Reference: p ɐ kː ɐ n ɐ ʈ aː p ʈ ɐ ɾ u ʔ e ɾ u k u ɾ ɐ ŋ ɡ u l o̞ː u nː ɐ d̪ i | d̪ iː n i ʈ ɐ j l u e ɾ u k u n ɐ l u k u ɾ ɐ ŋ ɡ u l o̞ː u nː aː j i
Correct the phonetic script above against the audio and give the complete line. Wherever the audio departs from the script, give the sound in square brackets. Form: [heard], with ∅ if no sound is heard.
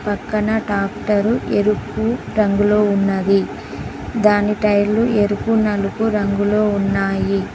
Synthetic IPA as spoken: p ɐ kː ɐ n ɐ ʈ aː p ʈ ɐ ɾ u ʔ e ɾ u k u ɾ ɐ ŋ ɡ u l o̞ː u nː ɐ d̪ i | d̪ [aː] n i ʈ ɐ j l u e ɾ u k u n ɐ l u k u ɾ ɐ ŋ ɡ u l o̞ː u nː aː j i